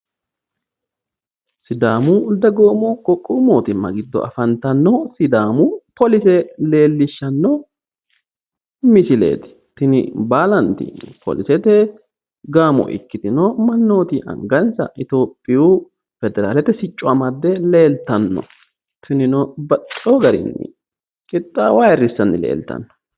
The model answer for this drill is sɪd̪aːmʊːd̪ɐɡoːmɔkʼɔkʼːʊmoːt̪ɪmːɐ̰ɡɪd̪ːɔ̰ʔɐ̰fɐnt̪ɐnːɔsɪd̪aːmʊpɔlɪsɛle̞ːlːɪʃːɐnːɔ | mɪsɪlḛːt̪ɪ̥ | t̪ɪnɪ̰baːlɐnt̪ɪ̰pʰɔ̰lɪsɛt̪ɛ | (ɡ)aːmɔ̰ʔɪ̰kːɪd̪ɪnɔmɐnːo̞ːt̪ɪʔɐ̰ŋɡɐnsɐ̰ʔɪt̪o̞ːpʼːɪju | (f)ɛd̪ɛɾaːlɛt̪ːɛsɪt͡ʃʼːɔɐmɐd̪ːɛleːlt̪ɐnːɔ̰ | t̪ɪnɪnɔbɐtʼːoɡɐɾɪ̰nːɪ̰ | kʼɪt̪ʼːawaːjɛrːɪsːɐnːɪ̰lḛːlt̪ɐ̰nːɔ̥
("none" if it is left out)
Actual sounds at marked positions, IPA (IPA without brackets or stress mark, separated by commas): ɡ, f